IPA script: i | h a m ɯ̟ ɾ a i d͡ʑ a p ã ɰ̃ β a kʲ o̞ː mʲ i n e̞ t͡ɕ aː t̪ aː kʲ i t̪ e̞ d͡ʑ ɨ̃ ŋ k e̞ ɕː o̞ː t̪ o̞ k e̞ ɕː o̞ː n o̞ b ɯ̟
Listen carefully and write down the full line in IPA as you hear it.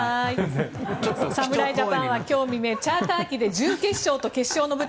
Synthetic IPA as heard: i | s a m ɯ̟ ɾ a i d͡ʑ a p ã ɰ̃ β a kʲ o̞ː mʲ i m e̞ t͡ɕ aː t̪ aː kʲ i d̪ e̞ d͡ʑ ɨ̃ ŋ k e̞ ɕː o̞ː t̪ o̞ k e̞ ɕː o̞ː n o̞ b ɯ̟